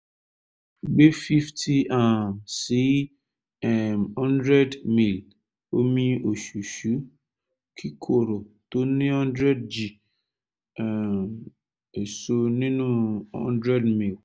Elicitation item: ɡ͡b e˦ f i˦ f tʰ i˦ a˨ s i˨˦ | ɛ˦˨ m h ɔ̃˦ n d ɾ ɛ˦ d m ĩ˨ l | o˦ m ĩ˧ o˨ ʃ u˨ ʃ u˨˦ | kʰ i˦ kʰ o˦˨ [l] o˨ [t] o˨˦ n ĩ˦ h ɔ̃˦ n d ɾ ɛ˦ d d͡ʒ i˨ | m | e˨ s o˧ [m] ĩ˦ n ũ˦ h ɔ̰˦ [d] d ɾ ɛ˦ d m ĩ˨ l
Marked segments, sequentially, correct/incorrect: incorrect, correct, incorrect, incorrect

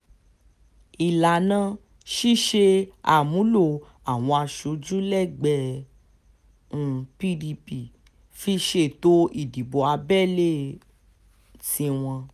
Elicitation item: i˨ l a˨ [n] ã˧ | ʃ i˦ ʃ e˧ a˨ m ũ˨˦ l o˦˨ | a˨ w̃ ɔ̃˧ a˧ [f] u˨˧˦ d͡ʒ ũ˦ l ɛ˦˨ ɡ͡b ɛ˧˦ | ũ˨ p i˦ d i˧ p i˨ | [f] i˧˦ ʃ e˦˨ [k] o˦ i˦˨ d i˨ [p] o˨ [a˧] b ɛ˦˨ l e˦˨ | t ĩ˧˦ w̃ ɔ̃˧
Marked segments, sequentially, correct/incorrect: correct, incorrect, correct, incorrect, incorrect, correct

